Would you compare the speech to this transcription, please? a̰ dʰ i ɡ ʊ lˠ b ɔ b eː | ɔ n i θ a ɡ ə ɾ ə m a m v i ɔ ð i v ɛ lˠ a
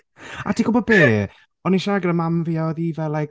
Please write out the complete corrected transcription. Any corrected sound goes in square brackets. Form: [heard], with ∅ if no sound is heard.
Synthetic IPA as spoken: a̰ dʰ i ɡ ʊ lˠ b ɔ b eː | ɔ n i [ʃ] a ɡ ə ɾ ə m a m v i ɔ ð i v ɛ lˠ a

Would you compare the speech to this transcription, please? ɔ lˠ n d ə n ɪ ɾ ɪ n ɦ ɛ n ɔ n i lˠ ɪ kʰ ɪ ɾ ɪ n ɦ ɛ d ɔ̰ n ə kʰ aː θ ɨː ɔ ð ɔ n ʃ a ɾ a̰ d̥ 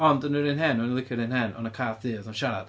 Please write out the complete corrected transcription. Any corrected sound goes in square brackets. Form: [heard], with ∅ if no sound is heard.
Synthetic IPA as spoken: ɔ [∅] n d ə n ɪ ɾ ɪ n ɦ ɛ n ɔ n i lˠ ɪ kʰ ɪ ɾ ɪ n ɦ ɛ [n] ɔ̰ n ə kʰ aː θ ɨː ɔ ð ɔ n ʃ a ɾ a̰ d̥

